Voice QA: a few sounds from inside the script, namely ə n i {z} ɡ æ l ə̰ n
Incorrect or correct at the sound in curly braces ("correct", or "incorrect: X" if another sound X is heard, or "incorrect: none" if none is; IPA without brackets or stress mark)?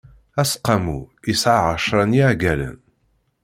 incorrect: ʕ